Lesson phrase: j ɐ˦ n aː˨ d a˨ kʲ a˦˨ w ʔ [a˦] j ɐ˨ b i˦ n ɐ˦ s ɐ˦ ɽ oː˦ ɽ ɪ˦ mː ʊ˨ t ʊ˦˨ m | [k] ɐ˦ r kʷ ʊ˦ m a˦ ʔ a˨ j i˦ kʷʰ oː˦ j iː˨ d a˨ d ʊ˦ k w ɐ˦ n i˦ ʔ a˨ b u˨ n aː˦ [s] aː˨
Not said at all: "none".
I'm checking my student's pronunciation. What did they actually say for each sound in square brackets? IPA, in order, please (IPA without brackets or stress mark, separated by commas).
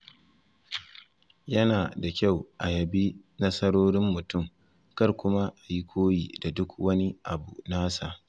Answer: a˨, k, s